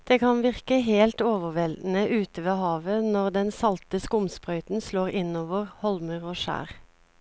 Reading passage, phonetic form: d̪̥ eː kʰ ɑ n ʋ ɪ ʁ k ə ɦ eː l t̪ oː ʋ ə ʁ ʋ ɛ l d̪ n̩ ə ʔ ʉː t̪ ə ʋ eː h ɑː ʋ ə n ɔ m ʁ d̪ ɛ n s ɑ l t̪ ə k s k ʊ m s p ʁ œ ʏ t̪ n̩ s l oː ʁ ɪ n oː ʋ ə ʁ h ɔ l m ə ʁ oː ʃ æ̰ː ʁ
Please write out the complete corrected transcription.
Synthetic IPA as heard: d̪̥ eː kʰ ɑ n ʋ ɪ ʁ k ə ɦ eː l t̪ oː ʋ ə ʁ ʋ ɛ l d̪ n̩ ə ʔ ʉː t̪ ə ʋ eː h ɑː ʋ ə n ɔ ʁ d̪ ɛ n s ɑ l t̪ ə s k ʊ m s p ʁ œ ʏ t̪ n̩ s l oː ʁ ɪ n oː ʋ ə ʁ h ɔ l m ə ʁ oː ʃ æ̰ː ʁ